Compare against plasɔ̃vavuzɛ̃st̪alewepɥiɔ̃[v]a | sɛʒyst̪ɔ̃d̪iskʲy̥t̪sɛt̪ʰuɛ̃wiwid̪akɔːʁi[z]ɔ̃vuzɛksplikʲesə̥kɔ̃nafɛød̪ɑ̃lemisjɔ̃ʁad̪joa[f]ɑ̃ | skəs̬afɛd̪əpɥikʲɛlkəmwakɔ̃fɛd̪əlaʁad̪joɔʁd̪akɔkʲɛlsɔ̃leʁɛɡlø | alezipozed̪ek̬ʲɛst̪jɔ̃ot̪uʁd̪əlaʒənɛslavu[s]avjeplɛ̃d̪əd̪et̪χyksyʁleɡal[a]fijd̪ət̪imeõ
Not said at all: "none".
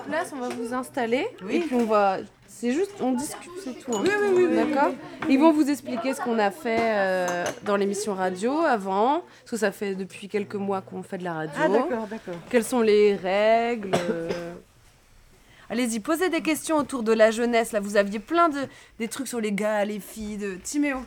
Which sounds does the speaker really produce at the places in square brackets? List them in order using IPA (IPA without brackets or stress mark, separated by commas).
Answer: v, v, v, z, e